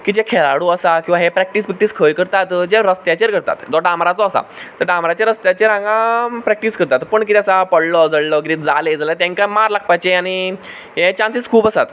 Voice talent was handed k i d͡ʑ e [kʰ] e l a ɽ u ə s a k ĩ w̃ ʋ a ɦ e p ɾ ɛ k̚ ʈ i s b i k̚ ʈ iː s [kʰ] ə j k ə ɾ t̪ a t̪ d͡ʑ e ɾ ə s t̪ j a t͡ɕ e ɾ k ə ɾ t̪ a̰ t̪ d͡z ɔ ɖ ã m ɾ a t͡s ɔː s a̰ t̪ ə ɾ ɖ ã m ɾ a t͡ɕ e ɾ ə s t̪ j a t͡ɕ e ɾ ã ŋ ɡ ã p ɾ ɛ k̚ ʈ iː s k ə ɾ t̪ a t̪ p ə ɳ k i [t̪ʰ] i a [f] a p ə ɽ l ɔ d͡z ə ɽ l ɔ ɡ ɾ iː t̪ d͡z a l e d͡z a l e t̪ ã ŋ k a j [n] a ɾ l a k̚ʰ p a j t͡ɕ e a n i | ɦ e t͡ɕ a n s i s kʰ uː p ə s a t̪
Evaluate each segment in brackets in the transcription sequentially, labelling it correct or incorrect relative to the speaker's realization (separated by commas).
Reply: correct, correct, incorrect, incorrect, incorrect